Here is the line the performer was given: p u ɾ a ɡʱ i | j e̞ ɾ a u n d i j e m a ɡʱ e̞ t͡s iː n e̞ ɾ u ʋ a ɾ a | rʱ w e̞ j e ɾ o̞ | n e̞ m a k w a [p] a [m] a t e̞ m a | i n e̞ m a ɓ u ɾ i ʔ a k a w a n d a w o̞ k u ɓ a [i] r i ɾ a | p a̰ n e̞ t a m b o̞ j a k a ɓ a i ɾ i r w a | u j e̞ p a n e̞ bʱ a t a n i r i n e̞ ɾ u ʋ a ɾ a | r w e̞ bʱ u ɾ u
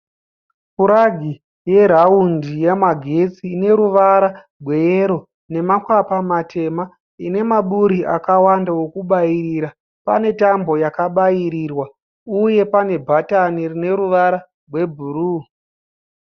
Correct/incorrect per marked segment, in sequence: correct, correct, correct

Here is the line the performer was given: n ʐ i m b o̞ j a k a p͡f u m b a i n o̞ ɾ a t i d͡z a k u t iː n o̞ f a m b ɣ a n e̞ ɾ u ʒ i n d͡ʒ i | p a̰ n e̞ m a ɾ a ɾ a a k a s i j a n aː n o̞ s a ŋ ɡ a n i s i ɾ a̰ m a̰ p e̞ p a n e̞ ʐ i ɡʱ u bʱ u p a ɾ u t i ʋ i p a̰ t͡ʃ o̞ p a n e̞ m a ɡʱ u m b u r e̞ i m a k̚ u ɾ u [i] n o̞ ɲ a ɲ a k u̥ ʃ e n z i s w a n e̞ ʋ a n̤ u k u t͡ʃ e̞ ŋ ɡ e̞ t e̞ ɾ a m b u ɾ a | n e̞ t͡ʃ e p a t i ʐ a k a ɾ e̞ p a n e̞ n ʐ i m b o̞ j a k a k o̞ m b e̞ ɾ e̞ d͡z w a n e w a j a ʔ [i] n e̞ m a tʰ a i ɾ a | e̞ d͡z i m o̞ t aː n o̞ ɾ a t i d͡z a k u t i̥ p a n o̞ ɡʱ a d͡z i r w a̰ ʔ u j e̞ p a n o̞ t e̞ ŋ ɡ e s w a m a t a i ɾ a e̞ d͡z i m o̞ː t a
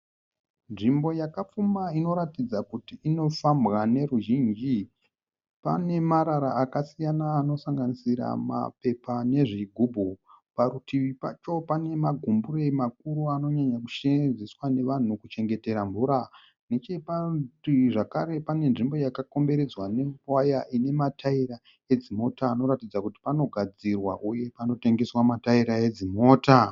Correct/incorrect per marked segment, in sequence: incorrect: a, correct

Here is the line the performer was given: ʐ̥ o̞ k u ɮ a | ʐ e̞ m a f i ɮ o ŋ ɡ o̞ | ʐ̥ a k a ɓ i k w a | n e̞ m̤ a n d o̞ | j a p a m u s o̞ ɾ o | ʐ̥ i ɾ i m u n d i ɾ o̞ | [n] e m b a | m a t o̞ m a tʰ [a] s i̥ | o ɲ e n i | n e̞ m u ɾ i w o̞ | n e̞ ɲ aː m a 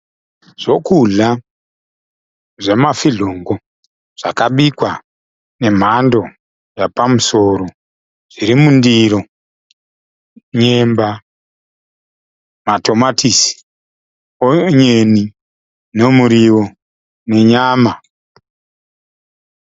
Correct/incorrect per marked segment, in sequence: incorrect: ɲ, incorrect: i

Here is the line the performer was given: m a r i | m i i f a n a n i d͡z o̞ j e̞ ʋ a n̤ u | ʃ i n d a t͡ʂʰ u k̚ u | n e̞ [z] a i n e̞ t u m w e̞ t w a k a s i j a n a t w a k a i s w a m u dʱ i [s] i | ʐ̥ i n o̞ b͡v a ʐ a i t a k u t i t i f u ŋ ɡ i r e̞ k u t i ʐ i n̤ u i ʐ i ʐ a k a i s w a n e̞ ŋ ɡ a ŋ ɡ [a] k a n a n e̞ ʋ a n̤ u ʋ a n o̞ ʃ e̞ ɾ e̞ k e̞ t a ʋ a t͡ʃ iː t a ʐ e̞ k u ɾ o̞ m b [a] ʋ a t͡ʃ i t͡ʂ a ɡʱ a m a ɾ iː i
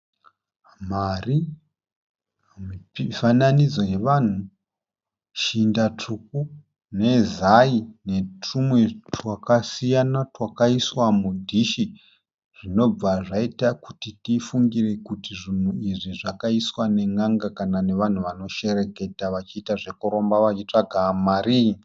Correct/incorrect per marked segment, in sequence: correct, incorrect: ʃ, correct, correct

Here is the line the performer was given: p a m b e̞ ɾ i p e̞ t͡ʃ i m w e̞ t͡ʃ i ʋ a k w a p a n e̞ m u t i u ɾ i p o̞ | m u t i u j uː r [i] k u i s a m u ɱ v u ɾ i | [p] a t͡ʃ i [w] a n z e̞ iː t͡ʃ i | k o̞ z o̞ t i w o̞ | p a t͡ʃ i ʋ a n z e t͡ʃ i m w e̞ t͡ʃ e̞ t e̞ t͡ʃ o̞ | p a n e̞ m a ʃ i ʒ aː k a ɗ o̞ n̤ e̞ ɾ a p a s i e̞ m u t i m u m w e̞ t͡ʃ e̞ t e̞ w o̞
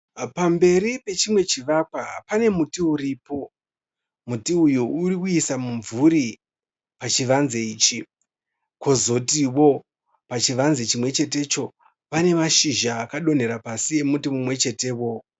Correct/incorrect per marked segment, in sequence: correct, correct, incorrect: ʋ

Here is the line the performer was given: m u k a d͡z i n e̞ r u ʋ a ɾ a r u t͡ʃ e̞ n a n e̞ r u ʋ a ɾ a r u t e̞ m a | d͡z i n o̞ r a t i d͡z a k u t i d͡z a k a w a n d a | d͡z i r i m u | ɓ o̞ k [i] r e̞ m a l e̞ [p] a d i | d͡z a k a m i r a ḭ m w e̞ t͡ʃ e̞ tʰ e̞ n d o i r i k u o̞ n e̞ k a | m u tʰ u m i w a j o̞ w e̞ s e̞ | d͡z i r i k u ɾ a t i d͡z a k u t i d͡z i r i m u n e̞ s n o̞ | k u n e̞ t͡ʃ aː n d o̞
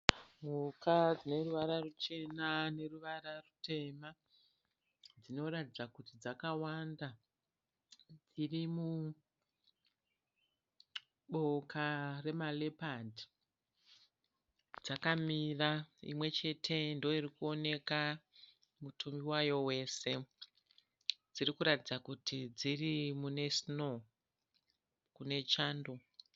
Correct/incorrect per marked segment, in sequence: incorrect: a, correct

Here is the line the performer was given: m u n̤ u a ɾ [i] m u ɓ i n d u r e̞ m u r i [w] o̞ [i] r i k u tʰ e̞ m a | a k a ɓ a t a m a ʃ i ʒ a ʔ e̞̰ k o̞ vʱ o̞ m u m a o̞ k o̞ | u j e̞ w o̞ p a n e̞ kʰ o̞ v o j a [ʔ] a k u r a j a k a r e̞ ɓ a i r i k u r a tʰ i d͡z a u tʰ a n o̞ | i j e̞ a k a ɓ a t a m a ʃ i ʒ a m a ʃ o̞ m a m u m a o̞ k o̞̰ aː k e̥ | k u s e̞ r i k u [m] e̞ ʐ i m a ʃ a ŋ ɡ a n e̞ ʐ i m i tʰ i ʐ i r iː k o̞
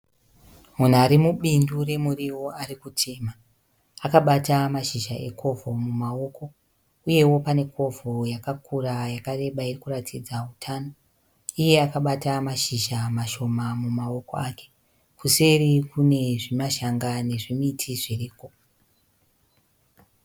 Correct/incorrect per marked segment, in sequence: correct, correct, incorrect: a, incorrect: k, incorrect: n

